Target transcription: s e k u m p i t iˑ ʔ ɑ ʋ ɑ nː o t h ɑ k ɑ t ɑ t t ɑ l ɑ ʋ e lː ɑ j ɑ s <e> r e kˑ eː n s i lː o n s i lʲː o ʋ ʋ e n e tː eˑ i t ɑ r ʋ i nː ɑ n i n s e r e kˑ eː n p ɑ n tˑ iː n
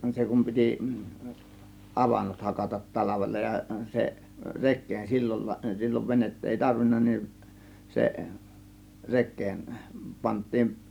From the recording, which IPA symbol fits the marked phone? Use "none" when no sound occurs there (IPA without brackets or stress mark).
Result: e